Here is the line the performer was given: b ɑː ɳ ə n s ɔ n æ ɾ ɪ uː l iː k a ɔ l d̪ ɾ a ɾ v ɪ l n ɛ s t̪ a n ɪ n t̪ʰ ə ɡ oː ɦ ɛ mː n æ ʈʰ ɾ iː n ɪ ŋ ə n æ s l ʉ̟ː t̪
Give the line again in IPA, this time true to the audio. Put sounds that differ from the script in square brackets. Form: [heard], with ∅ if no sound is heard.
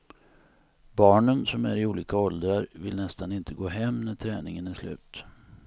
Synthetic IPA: b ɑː ɳ ə n s ɔ [m] æ ɾ ɪ uː l iː k a ɔ l d̪ ɾ a ɾ v ɪ l n ɛ s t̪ a n ɪ n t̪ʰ ə ɡ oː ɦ ɛ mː n æ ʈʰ ɾ [ɛː] n ɪ ŋ ə n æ [ʂ] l ʉ̟ː t̪